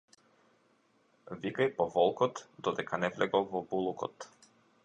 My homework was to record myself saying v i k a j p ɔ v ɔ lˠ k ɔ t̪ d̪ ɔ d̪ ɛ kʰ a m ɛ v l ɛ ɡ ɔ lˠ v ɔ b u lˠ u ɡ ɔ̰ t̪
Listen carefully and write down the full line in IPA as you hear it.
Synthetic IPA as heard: v i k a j p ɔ v ɔ lˠ k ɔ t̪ d̪ ɔ d̪ ɛ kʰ a n ɛ v l ɛ ɡ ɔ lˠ v ɔ b u lˠ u k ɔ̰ t̪